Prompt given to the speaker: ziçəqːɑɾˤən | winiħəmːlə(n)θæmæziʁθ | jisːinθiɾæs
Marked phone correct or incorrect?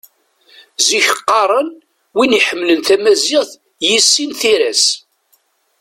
correct